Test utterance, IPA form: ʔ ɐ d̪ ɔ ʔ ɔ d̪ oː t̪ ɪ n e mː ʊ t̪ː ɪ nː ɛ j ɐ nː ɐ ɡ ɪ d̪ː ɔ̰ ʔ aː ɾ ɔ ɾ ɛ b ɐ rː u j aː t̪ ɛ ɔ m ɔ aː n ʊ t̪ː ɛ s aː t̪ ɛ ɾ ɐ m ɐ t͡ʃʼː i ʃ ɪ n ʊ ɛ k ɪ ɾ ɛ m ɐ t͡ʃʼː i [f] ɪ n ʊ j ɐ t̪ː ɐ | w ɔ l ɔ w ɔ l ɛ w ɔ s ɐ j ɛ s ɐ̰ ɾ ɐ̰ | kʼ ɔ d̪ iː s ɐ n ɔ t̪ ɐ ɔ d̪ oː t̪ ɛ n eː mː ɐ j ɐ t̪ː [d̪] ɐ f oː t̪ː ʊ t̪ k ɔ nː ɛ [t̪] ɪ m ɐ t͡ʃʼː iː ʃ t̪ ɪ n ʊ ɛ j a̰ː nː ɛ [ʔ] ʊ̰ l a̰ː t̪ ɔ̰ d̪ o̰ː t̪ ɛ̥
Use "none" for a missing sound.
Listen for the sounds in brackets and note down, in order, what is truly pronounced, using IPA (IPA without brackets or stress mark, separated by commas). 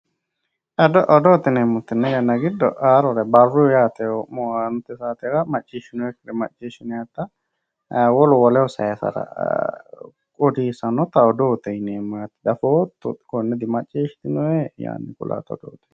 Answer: ʃ, d̪, d̪, k